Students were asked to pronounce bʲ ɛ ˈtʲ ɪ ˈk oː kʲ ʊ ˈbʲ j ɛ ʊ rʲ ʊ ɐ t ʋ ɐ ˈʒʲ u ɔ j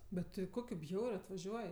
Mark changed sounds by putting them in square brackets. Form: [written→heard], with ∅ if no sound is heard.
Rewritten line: bʲ ɛ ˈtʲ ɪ ˈk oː kʲ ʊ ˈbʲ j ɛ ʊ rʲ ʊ ɐ t ʋ ɐ ˈʒʲ u ɔ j